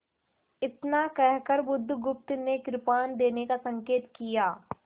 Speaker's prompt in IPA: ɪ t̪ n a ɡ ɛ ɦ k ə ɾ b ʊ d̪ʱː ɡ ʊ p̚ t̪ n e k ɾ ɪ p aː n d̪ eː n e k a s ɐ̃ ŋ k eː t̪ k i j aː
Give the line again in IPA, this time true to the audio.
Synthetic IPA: ɪ t̪ n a k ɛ ɦ k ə ɾ b ʊ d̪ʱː ɡ ʊ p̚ t̪ n e k ɾ ɪ p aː n d̪ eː n e k a s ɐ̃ ŋ k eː t̪ k i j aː